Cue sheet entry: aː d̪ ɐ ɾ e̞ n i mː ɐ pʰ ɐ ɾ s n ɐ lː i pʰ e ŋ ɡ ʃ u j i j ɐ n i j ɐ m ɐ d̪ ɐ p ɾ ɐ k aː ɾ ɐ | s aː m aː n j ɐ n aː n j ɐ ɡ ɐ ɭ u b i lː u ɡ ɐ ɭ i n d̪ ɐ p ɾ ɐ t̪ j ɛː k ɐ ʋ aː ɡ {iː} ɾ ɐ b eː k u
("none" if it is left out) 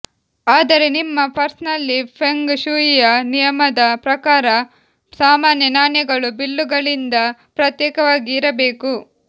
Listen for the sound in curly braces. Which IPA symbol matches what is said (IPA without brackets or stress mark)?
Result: iː